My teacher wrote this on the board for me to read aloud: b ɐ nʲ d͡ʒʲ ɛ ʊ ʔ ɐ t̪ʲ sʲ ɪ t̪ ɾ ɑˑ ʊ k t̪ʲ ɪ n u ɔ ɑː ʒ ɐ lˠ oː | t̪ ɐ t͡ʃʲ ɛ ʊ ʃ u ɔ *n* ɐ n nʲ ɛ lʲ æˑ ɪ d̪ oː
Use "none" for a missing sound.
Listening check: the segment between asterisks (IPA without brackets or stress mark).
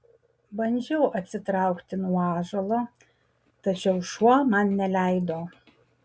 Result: m